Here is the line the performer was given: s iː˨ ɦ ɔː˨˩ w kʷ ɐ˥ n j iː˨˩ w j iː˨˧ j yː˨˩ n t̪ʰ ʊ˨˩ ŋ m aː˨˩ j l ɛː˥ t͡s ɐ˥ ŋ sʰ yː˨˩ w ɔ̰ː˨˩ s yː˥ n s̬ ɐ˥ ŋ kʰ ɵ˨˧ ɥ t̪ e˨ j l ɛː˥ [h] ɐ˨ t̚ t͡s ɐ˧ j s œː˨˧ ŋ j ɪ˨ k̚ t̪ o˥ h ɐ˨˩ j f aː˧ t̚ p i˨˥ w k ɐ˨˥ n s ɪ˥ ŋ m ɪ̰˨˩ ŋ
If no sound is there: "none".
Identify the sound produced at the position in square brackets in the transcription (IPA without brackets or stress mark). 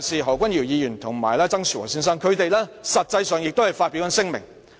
s